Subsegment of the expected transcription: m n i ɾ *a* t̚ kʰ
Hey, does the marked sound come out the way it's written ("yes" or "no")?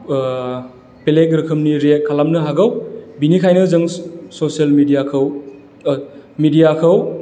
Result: no